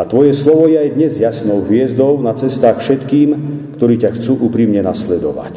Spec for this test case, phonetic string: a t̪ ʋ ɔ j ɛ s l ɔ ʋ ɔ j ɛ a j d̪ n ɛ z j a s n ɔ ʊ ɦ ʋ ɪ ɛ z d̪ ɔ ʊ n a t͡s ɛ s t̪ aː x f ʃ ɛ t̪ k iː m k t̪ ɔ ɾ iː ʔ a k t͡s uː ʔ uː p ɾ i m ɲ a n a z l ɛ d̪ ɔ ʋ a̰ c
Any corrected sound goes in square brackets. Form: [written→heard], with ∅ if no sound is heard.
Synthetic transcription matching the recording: a t̪ ʋ ɔ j ɛ s l ɔ ʋ ɔ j ɛ a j d̪ [n→ɲ] ɛ z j a s n ɔ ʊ ɦ ʋ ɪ ɛ z d̪ ɔ ʊ n a t͡s ɛ s t̪ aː x f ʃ ɛ t̪ k iː m k t̪ ɔ ɾ iː [ʔ→c] a [k→x] t͡s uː ʔ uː p ɾ i m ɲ [a→ɛ] n a [z→s] l ɛ d̪ ɔ ʋ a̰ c